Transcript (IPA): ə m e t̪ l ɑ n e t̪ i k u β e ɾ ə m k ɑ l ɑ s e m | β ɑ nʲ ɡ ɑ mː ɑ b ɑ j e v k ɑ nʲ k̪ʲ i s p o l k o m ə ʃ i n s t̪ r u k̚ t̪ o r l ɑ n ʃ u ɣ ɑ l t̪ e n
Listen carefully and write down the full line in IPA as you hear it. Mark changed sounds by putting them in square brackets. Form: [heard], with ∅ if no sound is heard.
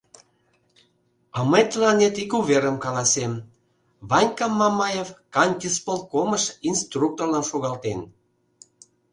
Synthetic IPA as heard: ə m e t̪ l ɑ n e t̪ i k u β e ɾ ə m k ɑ l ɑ s e m | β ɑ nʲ [k] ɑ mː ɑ [m] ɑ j e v k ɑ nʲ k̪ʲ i s p o l k o m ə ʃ i n s t̪ r u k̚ t̪ o r l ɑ n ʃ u ɣ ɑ l t̪ e n